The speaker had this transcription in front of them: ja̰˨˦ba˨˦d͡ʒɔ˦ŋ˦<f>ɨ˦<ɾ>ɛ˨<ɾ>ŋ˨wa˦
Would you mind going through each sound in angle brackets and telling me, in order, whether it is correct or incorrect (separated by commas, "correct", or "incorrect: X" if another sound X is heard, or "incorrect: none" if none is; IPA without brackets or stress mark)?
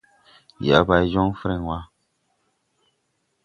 correct, correct, incorrect: none